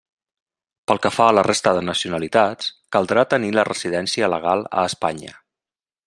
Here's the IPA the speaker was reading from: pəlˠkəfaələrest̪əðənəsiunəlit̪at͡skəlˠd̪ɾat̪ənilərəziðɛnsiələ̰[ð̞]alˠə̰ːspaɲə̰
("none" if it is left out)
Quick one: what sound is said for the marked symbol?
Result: ɣ̞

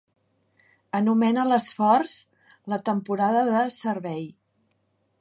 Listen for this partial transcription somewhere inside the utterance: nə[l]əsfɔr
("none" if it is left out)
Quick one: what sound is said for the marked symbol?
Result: l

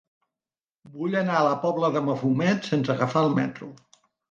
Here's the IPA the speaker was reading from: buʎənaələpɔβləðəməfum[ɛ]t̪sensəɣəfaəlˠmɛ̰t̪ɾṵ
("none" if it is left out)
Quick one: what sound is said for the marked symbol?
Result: ɛ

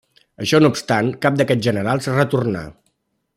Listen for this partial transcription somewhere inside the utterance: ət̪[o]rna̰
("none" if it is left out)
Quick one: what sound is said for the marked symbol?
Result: u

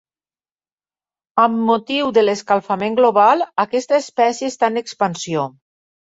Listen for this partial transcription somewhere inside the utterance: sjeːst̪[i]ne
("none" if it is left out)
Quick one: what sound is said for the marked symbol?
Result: a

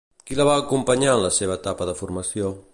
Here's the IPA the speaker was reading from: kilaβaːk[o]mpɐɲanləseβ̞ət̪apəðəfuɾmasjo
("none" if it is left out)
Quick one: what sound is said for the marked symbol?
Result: u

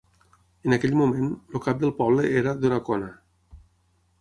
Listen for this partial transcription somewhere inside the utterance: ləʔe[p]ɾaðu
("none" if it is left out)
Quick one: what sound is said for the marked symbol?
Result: none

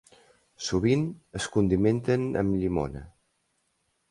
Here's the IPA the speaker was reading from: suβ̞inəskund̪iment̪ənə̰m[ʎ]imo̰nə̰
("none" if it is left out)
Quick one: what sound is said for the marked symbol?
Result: ʎ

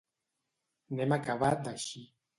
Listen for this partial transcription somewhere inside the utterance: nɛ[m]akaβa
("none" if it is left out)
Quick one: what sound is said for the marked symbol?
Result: m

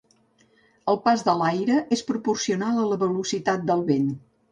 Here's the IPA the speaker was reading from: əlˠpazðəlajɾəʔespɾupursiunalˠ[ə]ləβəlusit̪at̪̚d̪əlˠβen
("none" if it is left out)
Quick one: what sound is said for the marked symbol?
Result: ə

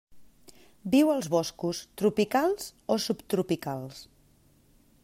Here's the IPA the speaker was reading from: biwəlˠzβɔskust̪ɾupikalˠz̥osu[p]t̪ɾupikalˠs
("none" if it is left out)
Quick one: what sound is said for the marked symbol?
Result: p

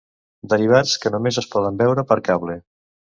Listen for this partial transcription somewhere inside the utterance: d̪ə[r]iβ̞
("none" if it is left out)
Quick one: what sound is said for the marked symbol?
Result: ɾ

